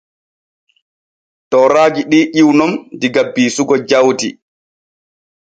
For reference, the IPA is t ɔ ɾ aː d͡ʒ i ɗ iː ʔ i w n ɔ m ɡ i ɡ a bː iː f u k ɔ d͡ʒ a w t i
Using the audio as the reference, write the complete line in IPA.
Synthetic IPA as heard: t ɔ ɾ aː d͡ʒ i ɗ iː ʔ i w n ɔ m d i ɡ a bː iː s u ɡ ɔ d͡ʒ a w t i